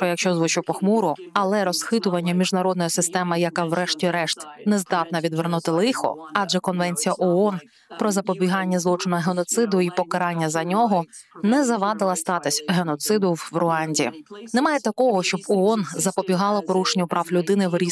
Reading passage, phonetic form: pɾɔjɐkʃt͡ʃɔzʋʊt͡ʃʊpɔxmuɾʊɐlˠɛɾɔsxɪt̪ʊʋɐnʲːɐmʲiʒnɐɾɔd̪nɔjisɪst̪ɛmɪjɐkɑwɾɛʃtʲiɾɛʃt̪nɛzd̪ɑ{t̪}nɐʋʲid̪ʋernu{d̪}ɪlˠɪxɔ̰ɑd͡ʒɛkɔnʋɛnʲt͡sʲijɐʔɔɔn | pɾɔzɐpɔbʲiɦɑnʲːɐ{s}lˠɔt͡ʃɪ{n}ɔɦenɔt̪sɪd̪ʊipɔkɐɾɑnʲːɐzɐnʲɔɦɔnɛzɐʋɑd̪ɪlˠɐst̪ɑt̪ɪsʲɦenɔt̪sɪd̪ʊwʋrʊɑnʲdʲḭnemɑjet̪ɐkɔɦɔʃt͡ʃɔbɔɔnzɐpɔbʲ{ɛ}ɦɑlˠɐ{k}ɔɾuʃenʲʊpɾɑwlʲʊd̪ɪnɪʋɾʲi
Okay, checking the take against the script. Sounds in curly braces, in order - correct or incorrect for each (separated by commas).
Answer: correct, incorrect, incorrect, correct, incorrect, incorrect